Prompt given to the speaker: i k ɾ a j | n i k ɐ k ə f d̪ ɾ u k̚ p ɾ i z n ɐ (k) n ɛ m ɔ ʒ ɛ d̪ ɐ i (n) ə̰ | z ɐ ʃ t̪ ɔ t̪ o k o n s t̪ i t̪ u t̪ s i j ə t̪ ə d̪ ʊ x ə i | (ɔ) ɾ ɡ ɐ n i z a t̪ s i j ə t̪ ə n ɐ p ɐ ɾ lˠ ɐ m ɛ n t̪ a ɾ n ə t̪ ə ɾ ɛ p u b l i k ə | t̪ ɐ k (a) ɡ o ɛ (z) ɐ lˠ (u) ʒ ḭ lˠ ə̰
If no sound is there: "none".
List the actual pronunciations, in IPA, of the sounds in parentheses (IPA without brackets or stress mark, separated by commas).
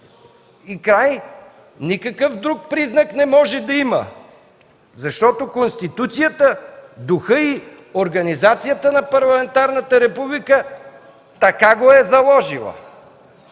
k, m, o, a, z, ɔ